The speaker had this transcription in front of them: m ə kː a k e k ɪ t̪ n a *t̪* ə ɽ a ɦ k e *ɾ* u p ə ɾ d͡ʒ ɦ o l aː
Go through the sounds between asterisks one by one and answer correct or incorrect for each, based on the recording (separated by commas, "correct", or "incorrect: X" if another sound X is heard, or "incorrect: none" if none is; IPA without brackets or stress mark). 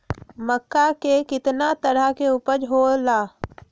correct, incorrect: none